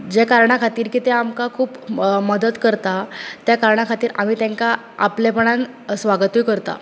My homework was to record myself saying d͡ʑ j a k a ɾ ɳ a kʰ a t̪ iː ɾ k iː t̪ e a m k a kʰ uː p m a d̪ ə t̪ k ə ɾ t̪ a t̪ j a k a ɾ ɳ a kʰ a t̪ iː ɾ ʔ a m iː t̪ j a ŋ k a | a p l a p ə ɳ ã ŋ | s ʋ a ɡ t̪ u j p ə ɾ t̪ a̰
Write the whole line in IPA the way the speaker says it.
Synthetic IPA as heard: d͡ʑ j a k a ɾ ɳ a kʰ a t̪ iː ɾ k iː t̪ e a m k a kʰ uː p m ə d̪ ə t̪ k ə ɾ t̪ a t̪ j a k a ɾ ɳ a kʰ a t̪ iː ɾ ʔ a m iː t̪ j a ŋ k a | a p l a p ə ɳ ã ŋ | s ʋ a ɡ t̪ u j k ə ɾ t̪ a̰

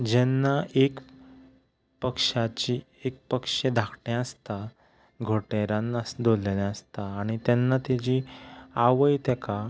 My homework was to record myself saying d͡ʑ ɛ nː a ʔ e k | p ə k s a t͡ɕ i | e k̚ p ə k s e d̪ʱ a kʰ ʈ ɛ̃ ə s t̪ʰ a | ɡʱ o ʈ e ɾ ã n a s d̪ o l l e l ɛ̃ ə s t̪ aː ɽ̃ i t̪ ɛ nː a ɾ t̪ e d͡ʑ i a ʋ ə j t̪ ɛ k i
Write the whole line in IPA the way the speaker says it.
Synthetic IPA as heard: d͡ʑ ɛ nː a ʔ e k | p ə k ʂ a t͡ɕ i | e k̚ p ə k ʂ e d̪ʱ a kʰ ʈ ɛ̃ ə s t̪ a | ɡʱ o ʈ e ɾ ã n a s d̪ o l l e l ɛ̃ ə s t̪ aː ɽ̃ i t̪ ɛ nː a t̪ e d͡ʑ i a ʋ ə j t̪ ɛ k a

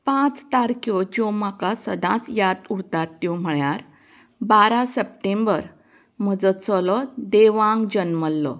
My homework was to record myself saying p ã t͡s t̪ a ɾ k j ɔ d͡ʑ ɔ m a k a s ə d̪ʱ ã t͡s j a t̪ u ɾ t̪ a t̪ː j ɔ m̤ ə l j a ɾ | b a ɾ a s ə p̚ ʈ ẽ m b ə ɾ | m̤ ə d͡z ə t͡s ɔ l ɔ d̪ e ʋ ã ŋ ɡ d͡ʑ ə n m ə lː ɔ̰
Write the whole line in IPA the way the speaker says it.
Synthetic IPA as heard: p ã t͡s t̪ a ɾ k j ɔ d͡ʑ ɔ m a k a s ə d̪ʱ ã t͡s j a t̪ u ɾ t̪ a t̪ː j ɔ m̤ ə ɭ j a ɾ | b a ɾ a s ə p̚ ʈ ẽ m b ə ɾ | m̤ ə d͡z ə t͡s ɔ l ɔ d̪ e ʋ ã ŋ ɡ d͡ʑ ə n m ə lː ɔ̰

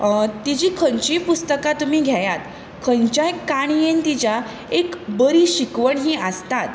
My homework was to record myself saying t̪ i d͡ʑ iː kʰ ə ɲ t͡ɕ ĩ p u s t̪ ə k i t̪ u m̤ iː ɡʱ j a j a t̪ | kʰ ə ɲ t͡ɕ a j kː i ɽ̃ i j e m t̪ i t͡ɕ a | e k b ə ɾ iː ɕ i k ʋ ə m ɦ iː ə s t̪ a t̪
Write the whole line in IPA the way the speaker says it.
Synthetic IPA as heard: t̪ i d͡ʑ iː kʰ ə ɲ t͡ɕ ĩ p u s t̪ ə k a t̪ u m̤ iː ɡʱ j a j a t̪ | kʰ ə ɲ t͡ɕ a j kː a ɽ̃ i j e n t̪ i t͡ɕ a | e k b ə ɾ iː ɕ i k ʋ ə ɳ ɦ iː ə s t̪ a t̪

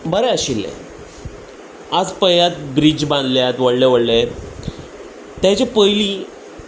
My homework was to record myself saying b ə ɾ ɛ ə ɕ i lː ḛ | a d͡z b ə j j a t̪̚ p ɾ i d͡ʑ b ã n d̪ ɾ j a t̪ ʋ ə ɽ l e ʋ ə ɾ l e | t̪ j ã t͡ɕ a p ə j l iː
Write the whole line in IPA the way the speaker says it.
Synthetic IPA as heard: b ə ɾ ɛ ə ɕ i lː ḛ | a d͡z p ə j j a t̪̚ b ɾ i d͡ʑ b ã n d̪ l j a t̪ ʋ ə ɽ l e ʋ ə ɽ l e | t̪ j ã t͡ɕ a p ə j l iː

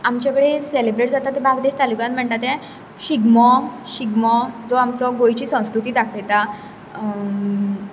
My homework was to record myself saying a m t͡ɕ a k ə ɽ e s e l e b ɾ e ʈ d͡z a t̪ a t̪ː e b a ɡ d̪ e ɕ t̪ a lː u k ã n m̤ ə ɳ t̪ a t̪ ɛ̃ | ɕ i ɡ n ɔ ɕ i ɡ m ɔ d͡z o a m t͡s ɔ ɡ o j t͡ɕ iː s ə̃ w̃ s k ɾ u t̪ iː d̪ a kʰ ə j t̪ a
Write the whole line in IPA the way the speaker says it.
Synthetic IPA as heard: a m t͡ɕ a k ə ɽ e s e l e b ɾ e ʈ d͡z a t̪ a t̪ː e b a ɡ d̪ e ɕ t̪ a l u k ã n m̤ ə ɳ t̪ a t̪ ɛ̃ | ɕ i ɡ m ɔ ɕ i ɡ m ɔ d͡z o a m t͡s ɔ ɡ o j t͡ɕ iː s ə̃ w̃ s k ɾ u t̪ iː d̪ a kʰ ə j t̪ a

